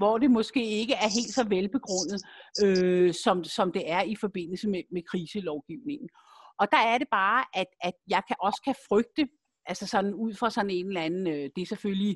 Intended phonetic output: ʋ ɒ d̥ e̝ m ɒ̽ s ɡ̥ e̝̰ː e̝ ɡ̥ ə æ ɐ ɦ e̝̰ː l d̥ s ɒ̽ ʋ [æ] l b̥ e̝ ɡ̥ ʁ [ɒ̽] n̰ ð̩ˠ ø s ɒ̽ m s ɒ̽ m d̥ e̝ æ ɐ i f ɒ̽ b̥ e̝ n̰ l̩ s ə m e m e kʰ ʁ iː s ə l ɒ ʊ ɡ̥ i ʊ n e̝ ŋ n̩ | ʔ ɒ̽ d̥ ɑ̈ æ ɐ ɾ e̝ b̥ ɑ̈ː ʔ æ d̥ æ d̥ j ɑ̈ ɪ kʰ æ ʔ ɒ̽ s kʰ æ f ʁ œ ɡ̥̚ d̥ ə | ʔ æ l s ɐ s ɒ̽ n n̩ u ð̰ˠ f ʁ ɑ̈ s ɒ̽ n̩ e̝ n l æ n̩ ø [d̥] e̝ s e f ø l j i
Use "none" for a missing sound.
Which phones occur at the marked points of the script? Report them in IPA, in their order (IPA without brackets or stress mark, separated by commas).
e, ɔ̽, d̥